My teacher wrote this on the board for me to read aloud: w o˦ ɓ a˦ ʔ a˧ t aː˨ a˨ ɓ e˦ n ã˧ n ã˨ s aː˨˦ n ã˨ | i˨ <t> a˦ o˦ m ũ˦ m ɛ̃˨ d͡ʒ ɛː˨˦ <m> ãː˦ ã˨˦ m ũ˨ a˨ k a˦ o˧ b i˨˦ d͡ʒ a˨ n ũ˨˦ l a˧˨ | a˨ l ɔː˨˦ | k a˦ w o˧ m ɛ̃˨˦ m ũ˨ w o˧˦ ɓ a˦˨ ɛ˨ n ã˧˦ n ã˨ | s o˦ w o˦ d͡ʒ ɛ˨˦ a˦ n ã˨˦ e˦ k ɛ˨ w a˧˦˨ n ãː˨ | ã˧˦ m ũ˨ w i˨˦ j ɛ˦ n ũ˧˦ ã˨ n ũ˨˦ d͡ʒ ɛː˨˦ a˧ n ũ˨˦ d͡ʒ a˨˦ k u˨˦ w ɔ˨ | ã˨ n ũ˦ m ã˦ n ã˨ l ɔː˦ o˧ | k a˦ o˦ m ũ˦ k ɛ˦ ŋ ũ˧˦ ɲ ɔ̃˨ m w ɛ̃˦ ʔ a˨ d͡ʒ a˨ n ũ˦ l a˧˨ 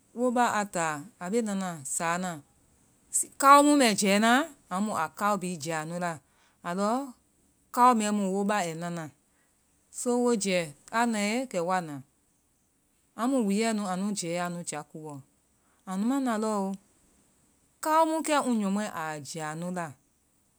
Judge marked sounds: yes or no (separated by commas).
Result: no, no